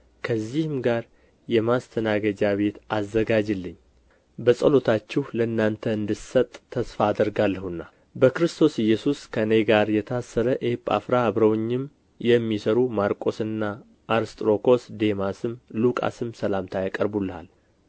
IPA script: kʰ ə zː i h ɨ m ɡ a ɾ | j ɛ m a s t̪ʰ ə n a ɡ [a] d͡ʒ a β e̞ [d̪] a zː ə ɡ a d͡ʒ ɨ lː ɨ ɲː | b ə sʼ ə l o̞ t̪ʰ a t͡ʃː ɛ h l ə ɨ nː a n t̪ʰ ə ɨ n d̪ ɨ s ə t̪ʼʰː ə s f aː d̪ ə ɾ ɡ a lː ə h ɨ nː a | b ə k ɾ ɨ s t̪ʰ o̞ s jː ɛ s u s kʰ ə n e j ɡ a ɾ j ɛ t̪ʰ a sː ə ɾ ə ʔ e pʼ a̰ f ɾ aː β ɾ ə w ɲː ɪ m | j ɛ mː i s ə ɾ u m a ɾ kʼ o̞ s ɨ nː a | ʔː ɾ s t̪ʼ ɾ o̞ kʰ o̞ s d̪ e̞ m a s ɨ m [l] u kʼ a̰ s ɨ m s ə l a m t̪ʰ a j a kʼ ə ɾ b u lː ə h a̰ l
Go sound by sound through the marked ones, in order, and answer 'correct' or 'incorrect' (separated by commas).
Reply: incorrect, incorrect, correct